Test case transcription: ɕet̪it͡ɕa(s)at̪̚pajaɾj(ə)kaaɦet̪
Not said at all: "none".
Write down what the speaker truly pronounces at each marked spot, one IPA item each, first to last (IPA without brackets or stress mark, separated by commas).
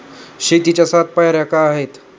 s, a